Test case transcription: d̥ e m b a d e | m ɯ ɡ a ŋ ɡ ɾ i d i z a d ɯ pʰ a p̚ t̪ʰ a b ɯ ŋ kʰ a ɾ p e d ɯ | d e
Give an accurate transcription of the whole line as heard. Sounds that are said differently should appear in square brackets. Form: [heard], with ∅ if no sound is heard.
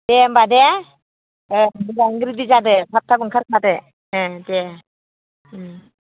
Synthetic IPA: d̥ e m b a d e | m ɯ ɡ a ŋ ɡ ɾ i d i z a d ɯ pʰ a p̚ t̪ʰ a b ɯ ŋ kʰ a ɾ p [a] d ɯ | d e